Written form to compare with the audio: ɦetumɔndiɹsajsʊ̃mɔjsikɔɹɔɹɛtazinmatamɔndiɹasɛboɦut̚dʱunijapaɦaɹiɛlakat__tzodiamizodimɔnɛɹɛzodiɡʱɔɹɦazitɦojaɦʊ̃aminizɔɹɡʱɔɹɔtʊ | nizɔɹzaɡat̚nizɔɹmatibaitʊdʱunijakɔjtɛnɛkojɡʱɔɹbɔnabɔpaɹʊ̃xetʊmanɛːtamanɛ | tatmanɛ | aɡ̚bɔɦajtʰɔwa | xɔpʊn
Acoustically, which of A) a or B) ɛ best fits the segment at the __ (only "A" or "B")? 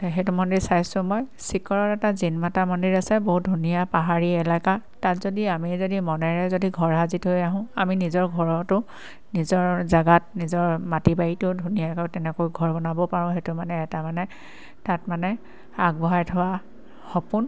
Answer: A